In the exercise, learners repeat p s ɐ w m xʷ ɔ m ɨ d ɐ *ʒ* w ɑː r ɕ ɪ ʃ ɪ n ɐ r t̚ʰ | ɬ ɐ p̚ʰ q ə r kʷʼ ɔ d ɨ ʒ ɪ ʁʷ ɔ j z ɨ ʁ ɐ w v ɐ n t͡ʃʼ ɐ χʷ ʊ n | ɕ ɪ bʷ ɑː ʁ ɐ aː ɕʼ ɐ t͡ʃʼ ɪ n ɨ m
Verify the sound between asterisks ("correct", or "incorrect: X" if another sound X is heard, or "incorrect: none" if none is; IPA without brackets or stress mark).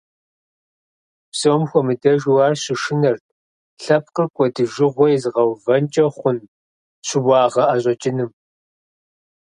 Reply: correct